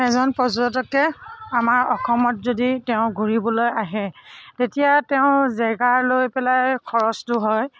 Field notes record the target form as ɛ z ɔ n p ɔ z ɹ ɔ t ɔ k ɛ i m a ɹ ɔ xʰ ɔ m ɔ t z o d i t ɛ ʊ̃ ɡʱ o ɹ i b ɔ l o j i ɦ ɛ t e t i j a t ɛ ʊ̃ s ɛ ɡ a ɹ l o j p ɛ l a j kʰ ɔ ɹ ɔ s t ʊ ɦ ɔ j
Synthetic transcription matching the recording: ɛ z ɔ n p ɔ z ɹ ɔ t ɔ k ɛ a m a ɹ ɔ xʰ ɔ m ɔ t z o d i t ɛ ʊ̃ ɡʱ u ɹ i b ɔ l o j a ɦ ɛ t e t i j a t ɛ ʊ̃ z ɛ ɡ a ɹ l o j p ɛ l a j kʰ ɔ ɹ ɔ s t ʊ ɦ ɔ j